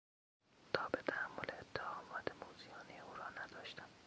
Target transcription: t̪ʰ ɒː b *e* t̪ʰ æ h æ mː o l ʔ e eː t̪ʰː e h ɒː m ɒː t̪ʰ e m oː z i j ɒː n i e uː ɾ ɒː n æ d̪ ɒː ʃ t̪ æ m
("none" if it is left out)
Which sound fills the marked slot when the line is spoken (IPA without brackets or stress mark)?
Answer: e